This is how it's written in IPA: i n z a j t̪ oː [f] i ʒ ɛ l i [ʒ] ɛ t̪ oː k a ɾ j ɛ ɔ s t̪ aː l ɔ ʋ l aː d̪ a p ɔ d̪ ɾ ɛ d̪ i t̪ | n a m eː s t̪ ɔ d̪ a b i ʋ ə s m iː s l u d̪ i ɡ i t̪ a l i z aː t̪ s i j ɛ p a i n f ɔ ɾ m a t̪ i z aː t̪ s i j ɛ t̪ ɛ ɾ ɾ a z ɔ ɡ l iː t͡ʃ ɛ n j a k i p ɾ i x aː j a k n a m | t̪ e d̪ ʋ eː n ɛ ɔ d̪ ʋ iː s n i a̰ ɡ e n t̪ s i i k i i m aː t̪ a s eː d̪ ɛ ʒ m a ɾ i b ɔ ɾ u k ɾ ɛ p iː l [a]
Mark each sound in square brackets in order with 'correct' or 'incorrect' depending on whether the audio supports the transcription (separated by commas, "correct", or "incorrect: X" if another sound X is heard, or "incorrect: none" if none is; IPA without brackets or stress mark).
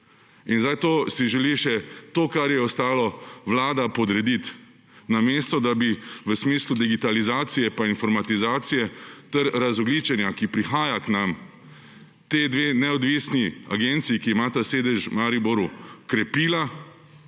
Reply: incorrect: s, incorrect: ʃ, correct